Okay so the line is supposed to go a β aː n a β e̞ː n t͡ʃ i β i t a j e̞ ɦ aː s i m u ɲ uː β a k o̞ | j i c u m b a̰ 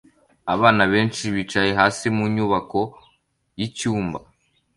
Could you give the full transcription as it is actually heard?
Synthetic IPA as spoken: a β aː n a β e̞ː n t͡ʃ i β i t͡ʃ a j e̞ ɦ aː s i m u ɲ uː β a k o̞ | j i c uː m b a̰